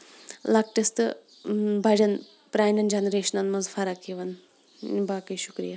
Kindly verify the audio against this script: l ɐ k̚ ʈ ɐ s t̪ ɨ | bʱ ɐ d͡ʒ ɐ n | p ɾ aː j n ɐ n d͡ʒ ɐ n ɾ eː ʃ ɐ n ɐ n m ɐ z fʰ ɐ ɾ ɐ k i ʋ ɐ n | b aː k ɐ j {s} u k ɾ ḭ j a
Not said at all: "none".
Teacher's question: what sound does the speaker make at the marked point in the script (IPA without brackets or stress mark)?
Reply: ʃ